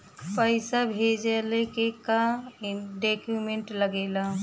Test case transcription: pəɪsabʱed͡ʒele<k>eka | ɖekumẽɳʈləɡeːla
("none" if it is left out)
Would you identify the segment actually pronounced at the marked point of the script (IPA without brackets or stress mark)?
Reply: k